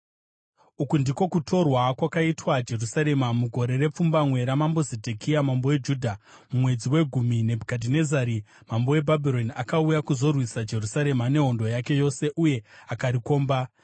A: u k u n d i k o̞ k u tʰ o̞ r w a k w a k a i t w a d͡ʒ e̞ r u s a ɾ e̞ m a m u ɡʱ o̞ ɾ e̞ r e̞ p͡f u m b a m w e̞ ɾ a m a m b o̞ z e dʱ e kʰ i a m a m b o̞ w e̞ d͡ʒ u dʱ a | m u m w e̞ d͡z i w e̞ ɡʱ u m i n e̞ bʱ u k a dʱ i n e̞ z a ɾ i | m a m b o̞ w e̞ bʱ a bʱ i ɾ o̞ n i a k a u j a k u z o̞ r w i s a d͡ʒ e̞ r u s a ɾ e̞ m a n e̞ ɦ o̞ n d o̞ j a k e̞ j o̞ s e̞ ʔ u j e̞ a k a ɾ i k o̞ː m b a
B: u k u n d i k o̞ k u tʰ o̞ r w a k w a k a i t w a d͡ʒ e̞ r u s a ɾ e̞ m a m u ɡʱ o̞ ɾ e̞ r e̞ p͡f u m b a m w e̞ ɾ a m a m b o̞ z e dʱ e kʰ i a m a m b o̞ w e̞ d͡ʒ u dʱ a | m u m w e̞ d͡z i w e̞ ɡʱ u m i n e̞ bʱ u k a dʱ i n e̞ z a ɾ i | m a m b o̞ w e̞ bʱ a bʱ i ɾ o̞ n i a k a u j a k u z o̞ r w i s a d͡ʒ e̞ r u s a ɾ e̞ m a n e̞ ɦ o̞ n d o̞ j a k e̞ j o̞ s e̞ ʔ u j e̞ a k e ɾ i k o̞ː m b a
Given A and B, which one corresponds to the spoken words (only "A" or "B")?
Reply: A